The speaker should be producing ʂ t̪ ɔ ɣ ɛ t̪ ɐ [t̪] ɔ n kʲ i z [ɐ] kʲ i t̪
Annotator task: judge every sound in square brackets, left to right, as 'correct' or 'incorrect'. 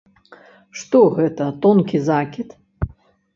correct, incorrect

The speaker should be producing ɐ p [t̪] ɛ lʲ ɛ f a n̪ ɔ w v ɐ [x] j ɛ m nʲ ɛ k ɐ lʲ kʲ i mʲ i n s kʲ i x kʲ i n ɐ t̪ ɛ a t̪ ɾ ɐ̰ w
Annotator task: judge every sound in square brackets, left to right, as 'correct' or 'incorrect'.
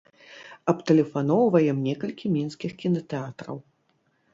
correct, incorrect

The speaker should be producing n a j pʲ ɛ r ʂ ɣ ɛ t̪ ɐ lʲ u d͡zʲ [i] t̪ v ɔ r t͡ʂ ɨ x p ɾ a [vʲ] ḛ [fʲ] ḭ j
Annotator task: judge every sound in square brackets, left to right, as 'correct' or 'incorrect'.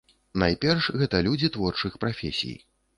correct, incorrect, incorrect

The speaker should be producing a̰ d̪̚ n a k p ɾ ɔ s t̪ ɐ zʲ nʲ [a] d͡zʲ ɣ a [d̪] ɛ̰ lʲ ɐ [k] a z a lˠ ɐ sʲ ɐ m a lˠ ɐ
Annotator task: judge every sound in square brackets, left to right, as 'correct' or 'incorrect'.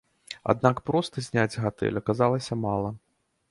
correct, incorrect, correct

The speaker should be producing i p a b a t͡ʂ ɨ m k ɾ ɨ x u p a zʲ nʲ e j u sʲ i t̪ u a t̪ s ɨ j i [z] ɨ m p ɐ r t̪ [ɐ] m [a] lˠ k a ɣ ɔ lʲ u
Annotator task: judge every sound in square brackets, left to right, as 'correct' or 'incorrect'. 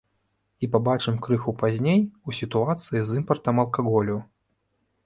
correct, correct, incorrect

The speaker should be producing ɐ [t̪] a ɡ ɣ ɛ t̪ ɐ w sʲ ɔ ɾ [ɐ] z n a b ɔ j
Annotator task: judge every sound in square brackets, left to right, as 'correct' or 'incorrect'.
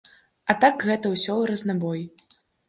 correct, correct

